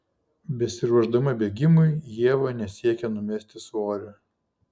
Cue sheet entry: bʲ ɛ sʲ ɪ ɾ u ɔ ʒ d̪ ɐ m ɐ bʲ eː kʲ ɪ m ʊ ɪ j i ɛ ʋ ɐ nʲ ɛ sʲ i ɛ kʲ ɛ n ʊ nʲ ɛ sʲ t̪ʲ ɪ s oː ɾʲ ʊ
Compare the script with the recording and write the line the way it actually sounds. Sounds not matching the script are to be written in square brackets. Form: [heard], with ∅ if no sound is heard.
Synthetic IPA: bʲ ɛ sʲ ɪ ɾ u ɔ ʒ d̪ ɐ m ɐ bʲ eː [ɡʲ] ɪ m ʊ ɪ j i ɛ ʋ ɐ nʲ ɛ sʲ i ɛ kʲ ɛ n ʊ [mʲ] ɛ sʲ t̪ʲ ɪ s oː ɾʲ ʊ